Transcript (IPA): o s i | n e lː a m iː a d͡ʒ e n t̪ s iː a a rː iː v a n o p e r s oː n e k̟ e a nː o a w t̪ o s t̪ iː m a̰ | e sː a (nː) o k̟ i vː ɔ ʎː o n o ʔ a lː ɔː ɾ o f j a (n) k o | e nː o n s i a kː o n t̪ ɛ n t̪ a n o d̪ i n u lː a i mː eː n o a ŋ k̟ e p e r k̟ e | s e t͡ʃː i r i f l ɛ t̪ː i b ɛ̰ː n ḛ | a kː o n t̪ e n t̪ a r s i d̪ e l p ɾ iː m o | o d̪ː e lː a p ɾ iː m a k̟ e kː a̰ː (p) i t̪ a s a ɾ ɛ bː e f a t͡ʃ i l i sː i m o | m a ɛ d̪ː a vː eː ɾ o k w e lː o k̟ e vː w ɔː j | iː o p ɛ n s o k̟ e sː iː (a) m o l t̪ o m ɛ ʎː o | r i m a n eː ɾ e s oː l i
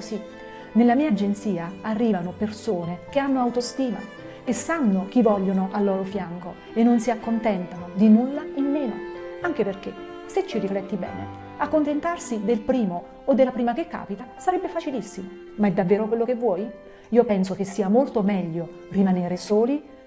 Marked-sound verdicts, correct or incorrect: correct, incorrect: ŋ, correct, correct

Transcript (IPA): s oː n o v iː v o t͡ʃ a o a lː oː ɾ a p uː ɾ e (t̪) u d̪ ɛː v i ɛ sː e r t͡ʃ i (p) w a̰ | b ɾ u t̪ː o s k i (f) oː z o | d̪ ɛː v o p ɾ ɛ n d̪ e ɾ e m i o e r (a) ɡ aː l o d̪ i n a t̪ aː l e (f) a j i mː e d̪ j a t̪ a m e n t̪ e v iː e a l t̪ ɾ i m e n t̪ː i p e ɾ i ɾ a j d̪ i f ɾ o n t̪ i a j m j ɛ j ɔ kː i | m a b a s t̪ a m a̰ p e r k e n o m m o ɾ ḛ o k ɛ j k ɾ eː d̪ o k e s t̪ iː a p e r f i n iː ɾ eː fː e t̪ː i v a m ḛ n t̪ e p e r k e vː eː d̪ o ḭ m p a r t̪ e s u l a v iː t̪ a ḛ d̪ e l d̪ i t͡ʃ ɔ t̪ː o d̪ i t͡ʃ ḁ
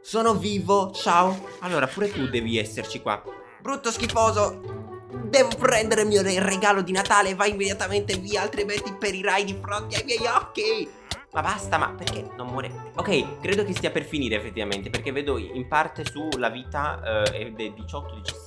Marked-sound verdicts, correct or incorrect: correct, incorrect: k, correct, incorrect: e, incorrect: v

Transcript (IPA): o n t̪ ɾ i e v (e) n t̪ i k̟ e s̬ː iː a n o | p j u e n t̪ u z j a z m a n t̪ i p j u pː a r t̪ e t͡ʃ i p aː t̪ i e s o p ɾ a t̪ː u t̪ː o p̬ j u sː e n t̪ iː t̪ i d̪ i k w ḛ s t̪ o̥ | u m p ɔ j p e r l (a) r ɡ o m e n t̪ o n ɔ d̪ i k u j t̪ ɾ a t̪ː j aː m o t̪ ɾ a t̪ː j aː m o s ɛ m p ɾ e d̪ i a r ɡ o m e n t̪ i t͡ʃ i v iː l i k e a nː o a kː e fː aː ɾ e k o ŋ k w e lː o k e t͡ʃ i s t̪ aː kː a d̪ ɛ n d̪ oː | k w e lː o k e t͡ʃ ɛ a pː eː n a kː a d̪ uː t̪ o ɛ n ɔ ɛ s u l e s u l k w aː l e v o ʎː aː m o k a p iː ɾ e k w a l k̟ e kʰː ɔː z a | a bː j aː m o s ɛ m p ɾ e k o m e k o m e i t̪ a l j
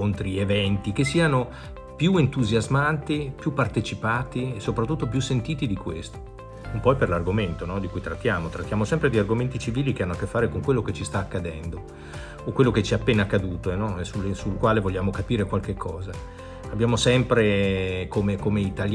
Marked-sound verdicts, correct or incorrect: incorrect: ɛ, correct

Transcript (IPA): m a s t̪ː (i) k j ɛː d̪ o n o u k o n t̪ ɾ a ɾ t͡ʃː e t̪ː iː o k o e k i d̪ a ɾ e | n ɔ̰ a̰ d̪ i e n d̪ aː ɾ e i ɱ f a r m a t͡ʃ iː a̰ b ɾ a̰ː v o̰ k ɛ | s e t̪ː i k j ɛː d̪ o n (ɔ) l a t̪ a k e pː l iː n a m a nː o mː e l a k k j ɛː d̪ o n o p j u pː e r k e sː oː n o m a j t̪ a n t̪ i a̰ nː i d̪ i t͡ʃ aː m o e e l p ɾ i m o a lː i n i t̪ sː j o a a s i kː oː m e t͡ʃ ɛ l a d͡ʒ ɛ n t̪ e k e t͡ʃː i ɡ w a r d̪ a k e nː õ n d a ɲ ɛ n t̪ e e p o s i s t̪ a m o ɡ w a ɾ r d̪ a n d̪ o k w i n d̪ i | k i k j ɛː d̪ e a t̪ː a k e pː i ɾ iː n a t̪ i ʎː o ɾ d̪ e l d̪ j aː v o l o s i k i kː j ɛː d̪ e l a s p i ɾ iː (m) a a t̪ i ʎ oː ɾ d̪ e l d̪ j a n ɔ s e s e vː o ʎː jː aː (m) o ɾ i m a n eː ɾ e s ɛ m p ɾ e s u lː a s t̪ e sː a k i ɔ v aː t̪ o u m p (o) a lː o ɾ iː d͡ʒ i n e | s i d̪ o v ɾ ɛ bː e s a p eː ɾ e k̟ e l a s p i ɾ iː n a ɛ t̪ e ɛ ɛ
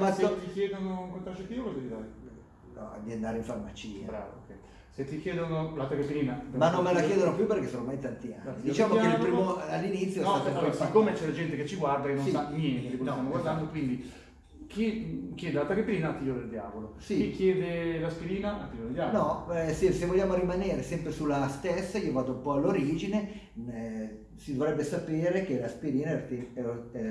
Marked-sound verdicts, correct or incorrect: correct, incorrect: o, incorrect: n, correct, incorrect: ɔ

